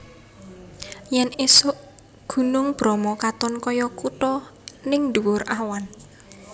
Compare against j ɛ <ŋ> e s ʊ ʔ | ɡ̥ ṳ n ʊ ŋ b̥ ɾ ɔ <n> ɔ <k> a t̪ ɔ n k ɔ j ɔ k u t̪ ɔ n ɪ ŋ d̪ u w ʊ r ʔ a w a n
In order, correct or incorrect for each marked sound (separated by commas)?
incorrect, incorrect, correct